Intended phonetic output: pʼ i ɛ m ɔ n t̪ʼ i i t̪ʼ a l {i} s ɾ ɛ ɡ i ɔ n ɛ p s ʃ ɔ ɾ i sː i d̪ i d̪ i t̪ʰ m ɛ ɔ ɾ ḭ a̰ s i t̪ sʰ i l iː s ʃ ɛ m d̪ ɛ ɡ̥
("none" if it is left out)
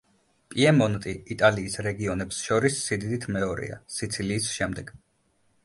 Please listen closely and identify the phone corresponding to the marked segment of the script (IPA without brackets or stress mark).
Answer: iː